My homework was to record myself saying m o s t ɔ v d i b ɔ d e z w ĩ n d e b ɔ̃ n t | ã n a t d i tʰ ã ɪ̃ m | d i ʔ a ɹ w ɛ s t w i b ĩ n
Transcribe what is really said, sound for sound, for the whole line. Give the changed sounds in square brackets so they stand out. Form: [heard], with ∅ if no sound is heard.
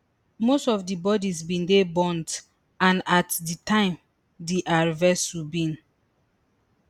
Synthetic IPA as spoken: m o s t ɔ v d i b ɔ d [i] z [b] ĩ n d e b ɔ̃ n t | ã n a t d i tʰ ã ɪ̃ m | d i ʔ a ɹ [v] ɛ s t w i b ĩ n